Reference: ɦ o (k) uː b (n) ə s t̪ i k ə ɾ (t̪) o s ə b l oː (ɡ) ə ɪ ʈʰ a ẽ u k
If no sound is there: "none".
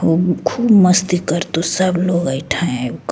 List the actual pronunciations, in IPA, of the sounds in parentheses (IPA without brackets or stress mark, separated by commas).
kʰ, m, t̪, ɡ